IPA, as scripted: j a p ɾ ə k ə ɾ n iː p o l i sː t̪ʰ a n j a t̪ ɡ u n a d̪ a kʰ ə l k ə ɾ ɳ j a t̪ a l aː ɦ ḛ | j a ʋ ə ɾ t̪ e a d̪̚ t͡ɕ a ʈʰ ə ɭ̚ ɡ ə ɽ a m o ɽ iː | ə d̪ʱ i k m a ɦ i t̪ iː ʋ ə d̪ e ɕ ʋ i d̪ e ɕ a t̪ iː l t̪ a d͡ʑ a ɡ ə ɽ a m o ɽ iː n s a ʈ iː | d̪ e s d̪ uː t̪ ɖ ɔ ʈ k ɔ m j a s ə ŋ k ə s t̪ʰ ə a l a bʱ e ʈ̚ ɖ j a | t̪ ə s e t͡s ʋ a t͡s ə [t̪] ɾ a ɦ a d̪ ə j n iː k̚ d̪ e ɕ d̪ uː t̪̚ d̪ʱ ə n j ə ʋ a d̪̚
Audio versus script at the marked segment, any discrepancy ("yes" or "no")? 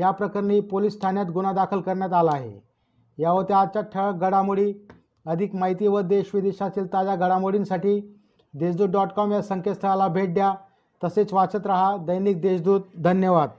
no